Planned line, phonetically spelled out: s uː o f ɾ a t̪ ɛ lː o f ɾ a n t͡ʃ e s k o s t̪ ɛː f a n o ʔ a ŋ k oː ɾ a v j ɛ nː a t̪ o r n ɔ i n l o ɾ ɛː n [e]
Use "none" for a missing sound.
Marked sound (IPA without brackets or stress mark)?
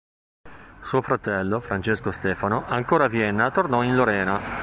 a